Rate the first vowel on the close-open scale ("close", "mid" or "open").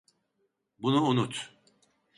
close